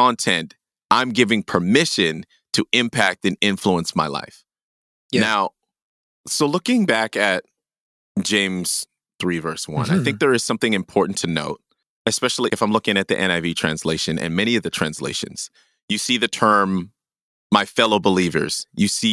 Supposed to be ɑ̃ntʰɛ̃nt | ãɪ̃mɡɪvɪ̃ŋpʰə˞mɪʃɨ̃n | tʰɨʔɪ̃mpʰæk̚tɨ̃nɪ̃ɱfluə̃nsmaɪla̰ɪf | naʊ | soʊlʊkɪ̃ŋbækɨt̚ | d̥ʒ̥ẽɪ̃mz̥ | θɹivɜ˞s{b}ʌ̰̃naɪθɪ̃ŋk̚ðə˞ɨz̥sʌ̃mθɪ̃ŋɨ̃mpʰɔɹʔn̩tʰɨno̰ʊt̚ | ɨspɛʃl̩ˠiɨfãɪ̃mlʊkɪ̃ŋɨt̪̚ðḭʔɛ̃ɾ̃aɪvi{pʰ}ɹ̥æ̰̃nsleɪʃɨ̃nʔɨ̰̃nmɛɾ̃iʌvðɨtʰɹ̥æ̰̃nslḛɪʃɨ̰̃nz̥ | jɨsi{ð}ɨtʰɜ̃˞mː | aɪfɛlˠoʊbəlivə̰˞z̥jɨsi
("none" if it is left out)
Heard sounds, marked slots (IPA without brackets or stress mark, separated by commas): w, tʰ, ð